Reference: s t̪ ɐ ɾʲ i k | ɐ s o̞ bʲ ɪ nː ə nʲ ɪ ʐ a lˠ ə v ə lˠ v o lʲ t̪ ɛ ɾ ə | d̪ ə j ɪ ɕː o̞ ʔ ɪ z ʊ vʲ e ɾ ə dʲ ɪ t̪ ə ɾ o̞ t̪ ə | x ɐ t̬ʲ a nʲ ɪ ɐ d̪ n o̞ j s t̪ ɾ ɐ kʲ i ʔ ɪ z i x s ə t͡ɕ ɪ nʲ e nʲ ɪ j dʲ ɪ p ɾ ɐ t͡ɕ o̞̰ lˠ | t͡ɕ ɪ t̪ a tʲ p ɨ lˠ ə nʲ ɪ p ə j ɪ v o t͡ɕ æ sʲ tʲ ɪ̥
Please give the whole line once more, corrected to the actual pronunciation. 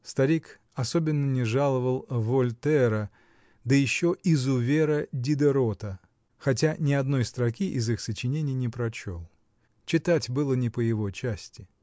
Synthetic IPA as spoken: s t̪ ɐ ɾʲ i k | ɐ s o̞ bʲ ɪ nː ə nʲ ɪ ʐ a lˠ ə v ə lˠ v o lʲ t̪ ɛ ɾ ə | d̪ ə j ɪ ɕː o̞ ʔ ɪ z ʊ vʲ e ɾ ə dʲ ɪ d̪ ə ɾ o̞ t̪ ə | x ɐ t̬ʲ a nʲ ɪ ɐ d̪ n o̞ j s t̪ ɾ ɐ kʲ i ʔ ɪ z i x s ə t͡ɕ ɪ nʲ e nʲ ɪ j nʲ ɪ p ɾ ɐ t͡ɕ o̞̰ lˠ | t͡ɕ ɪ t̪ a tʲ b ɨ lˠ ə nʲ ɪ p ə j ɪ v o t͡ɕ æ sʲ tʲ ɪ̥

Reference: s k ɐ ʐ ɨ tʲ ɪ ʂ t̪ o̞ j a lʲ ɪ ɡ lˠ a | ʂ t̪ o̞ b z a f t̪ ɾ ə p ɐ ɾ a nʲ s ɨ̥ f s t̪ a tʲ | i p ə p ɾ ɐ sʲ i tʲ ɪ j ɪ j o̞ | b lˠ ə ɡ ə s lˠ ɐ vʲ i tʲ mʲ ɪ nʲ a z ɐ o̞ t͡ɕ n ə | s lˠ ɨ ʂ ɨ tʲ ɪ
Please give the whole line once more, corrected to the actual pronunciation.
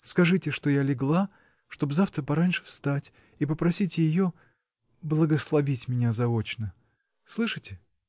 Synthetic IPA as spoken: s k ɐ ʐ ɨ tʲ ɪ ʂ t̪ o̞ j a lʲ ɪ ɡ lˠ a | ʂ t̪ o̞ b z a f t̪ ɾ ə p ɐ ɾ a nʲ ʂ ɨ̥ f s t̪ a tʲ | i p ə p ɾ ɐ sʲ i tʲ ɪ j ɪ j o̞ | b lˠ ə ɡ ə s lˠ ɐ vʲ i tʲ mʲ ɪ nʲ a z ɐ o̞ t͡ɕ n ə | s lˠ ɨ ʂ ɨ tʲ ɪ

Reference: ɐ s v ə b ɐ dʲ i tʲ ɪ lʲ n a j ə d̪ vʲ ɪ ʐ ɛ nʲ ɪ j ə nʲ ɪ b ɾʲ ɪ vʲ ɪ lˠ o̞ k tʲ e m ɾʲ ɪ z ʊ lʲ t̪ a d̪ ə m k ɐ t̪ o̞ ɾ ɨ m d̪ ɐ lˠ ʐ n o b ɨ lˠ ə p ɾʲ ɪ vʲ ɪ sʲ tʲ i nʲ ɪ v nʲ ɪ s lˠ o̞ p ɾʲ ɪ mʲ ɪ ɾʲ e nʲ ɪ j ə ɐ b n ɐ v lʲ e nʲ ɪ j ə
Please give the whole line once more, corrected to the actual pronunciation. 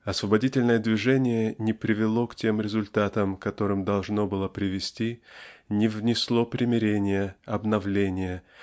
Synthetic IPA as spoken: ɐ s v ə b ɐ dʲ i tʲ ɪ lʲ n ə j ə d̪ vʲ ɪ ʐ ɛ nʲ ɪ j ə nʲ ɪ p ɾʲ ɪ vʲ ɪ lˠ o̞ k tʲ e m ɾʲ ɪ z ʊ lʲ t̪ a t̪ ə m k ɐ t̪ o̞ ɾ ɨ m d̪ ɐ lˠ ʐ n o b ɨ lˠ ə p ɾʲ ɪ vʲ ɪ sʲ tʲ i nʲ ɪ v nʲ ɪ s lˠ o̞ p ɾʲ ɪ mʲ ɪ ɾʲ e nʲ ɪ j ə ɐ b n ɐ v lʲ e nʲ ɪ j ə

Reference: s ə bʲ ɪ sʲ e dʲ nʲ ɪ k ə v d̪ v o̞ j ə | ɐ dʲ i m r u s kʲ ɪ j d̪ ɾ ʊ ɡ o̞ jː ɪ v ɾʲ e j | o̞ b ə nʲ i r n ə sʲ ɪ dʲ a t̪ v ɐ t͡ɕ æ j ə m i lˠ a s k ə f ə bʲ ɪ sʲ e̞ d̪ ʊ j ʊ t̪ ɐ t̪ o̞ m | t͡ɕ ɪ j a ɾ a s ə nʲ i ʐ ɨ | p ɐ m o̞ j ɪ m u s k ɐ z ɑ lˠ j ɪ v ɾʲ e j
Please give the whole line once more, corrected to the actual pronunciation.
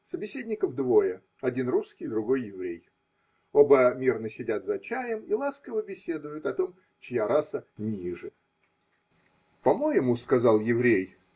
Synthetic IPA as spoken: s ə bʲ ɪ sʲ e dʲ nʲ ɪ k ə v d̪ v o̞ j ə | ɐ dʲ i n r u s kʲ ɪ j d̪ ɾ ʊ ɡ o̞ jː ɪ v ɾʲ e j | o̞ b ə mʲ i r n ə sʲ ɪ dʲ a t̪ z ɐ t͡ɕ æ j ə m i lˠ a s k ə v ə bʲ ɪ sʲ e̞ d̪ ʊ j ʊ t̪ ɐ t̪ o̞ m | t͡ɕ ɪ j a ɾ a s ə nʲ i ʐ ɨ | p ɐ m o̞ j ɪ m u s k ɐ z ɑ lˠ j ɪ v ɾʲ e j

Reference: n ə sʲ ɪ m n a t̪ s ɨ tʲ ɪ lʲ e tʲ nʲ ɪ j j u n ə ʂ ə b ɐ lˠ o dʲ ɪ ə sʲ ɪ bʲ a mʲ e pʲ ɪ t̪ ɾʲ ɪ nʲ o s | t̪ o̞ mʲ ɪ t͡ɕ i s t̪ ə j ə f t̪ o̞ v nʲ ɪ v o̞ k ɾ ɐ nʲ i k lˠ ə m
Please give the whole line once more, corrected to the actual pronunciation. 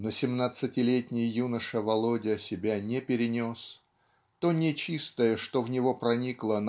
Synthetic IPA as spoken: n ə sʲ ɪ m n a t̪ s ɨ tʲ ɪ lʲ e tʲ nʲ ɪ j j u n ə ʂ ə v ɐ lˠ o dʲ ɪ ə sʲ ɪ bʲ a nʲ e pʲ ɪ ɾʲ ɪ nʲ o s | t̪ o̞ nʲ ɪ t͡ɕ i s t̪ ə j ə ʂ t̪ o̞ v nʲ ɪ v o̞ p ɾ ɐ nʲ i k lˠ ə n

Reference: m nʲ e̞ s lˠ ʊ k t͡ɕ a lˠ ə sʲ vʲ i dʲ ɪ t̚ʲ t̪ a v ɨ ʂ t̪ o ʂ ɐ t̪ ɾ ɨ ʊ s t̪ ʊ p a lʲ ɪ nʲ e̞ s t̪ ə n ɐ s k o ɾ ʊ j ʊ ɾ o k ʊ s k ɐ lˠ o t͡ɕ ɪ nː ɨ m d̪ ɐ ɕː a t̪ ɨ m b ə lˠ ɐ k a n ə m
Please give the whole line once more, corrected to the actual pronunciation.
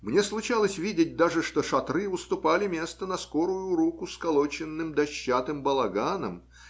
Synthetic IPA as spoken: m nʲ e̞ s lˠ ʊ t͡ɕ a lˠ ə sʲ vʲ i dʲ ɪ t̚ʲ d̪ a ʐ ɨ ʂ t̪ o ʂ ɐ t̪ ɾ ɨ ʊ s t̪ ʊ p a lʲ ɪ mʲ e̞ s t̪ ə n ɐ s k o ɾ ʊ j ʊ ɾ u k ʊ s k ɐ lˠ o t͡ɕ ɪ nː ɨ m d̪ ɐ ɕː a t̪ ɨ m b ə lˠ ɐ ɡ a n ə m

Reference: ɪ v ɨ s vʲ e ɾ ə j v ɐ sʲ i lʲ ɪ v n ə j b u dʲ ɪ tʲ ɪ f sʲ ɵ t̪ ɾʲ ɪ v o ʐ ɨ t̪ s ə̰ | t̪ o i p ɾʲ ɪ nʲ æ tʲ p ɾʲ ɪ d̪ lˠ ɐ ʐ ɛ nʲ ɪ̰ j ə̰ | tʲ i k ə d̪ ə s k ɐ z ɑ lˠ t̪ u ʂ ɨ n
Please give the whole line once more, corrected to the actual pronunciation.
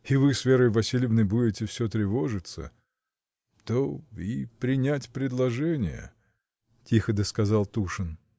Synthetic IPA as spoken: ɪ v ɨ s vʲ e ɾ ə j v ɐ sʲ i lʲ ɪ v n ə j b u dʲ ɪ tʲ ɪ f sʲ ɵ t̪ ɾʲ ɪ v o ʐ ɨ t̪ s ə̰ | t̪ o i p ɾʲ ɪ nʲ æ tʲ p ɾʲ ɪ d̪ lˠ ɐ ʐ ɛ nʲ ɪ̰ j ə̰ | tʲ i x ə d̪ ə s k ɐ z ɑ lˠ t̪ u ʂ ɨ n

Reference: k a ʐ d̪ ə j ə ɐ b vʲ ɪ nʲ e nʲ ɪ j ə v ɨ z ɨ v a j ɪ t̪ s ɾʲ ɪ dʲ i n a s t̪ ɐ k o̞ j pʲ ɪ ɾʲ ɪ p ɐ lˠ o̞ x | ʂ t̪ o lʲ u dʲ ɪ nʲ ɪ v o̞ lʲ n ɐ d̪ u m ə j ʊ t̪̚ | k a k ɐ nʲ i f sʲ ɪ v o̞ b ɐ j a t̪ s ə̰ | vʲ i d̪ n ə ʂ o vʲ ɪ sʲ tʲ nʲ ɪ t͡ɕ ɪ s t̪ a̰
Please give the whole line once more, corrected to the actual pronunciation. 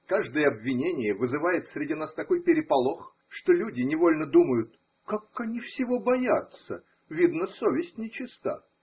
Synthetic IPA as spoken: k a ʐ d̪ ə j ə ɐ b vʲ ɪ nʲ e nʲ ɪ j ə v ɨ z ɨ v a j ɪ t̪ s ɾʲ ɪ dʲ i n a s t̪ ɐ k o̞ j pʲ ɪ ɾʲ ɪ p ɐ lˠ o̞ x | ʂ t̪ o lʲ u dʲ ɪ nʲ ɪ v o̞ lʲ n ə d̪ u m ə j ʊ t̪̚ | k a k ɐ nʲ i f sʲ ɪ v o̞ b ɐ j a t̪ s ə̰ | vʲ i d̪ n ə s o vʲ ɪ sʲ tʲ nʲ ɪ t͡ɕ ɪ s t̪ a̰

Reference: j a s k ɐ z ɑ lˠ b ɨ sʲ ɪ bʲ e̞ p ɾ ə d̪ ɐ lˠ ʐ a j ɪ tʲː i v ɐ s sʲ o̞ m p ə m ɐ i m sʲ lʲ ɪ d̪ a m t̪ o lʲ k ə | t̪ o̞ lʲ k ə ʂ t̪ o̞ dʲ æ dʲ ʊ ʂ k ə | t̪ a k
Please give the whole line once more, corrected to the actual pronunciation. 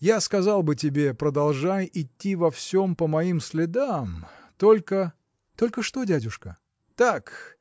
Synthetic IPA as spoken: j a s k ɐ z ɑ lˠ b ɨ tʲ ɪ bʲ e̞ p ɾ ə d̪ ɐ lˠ ʐ a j ɪ tʲː i v ɐ f sʲ o̞ m p ə m ɐ i m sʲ lʲ ɪ d̪ a m t̪ o lʲ k ə | t̪ o̞ lʲ k ə ʂ t̪ o̞ dʲ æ dʲ ʊ ʂ k ə | t̪ a k

